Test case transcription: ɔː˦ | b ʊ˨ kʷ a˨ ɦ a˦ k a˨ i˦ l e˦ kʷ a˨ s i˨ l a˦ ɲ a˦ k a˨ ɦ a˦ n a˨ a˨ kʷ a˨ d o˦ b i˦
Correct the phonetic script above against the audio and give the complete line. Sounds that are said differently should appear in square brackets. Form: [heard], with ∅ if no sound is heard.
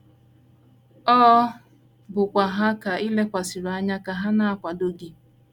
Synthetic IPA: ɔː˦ | b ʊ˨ kʷ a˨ ɦ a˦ k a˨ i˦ l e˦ kʷ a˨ s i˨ [ɾ] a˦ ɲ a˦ k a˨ ɦ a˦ n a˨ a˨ kʷ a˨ d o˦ [ɡ] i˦